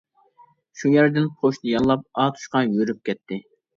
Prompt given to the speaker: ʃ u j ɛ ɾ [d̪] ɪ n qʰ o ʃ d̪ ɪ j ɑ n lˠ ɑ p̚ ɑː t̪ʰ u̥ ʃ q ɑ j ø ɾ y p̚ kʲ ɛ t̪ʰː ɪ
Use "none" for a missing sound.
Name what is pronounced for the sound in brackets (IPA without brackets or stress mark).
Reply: d̪